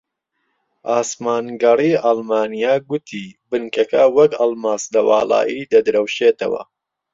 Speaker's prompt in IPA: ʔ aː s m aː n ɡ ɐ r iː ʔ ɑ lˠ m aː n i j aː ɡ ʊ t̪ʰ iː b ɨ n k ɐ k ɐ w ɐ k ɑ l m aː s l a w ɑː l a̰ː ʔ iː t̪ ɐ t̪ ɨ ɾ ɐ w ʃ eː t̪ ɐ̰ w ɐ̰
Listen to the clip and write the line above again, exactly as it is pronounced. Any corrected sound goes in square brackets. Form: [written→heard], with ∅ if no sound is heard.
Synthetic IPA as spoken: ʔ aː s m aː n ɡ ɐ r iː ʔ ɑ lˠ m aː n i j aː ɡ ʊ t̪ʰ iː b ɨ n k ɐ k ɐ w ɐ k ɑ l m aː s l [a→ɐ] w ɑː l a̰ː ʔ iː [t̪→d̪] ɐ [t̪→d̪] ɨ ɾ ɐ w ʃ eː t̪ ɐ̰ w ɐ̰